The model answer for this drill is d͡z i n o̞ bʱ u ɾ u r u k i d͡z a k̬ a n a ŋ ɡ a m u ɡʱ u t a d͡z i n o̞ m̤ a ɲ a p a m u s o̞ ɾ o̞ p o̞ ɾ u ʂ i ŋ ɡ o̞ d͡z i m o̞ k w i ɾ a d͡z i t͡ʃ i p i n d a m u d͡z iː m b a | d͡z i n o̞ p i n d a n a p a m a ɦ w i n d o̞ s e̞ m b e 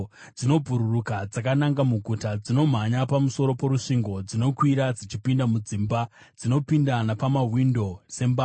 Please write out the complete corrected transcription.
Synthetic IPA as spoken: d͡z i n o̞ bʱ u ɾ u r u k a d͡z a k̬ a n a ŋ ɡ a m u ɡʱ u t a d͡z i n o̞ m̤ a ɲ a p a m u s o̞ ɾ o̞ p o̞ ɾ u ʂ i ŋ ɡ o̞ d͡z i n o̞ k w i ɾ a d͡z i t͡ʃ i p i n d a m u d͡z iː m b a | d͡z i n o̞ p i n d a n a p a m a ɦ w i n d o̞ s e̞ m b a